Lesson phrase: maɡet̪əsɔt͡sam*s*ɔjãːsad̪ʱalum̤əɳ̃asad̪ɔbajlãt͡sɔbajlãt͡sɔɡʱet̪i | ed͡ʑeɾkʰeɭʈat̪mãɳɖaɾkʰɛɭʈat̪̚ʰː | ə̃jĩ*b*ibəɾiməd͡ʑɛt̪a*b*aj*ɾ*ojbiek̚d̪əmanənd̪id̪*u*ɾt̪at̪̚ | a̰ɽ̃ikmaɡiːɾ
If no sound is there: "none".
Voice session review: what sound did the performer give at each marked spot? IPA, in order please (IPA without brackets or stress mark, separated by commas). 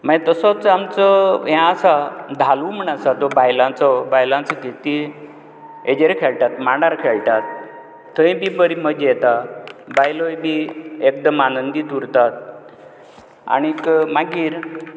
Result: t͡s, b, b, l, u